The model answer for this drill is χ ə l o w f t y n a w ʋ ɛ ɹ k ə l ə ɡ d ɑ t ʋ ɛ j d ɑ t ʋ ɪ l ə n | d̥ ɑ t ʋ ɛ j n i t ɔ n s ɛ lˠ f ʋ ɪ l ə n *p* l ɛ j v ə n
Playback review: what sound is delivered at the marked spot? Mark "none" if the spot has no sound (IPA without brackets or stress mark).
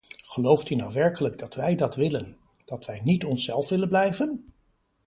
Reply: b